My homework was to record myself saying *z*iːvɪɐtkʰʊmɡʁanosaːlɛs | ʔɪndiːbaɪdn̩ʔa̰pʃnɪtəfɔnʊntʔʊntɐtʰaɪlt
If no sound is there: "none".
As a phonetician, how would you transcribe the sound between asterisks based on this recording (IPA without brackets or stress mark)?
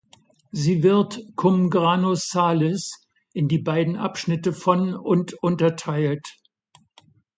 z